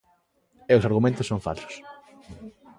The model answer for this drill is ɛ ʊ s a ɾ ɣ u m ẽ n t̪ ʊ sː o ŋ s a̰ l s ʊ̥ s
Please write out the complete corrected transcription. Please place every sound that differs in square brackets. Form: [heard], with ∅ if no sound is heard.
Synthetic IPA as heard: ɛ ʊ s a ɾ ɣ u m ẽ n t̪ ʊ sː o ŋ [f] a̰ l s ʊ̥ s